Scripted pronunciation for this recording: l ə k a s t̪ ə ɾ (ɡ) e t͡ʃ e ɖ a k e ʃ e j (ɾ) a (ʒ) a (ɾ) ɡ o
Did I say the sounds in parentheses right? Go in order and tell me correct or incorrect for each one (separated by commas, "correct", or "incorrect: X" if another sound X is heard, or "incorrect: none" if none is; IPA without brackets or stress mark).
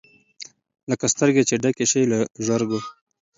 correct, incorrect: l, correct, correct